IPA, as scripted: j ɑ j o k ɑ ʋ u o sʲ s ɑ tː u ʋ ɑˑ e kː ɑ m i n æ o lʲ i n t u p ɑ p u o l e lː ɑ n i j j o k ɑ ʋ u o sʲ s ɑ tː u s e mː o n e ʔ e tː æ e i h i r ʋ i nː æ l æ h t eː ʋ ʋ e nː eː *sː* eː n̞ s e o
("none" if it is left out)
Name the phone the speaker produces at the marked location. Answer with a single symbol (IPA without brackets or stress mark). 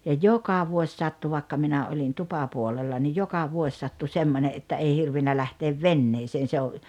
s